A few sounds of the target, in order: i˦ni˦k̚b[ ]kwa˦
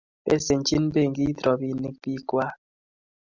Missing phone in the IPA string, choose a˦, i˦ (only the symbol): i˦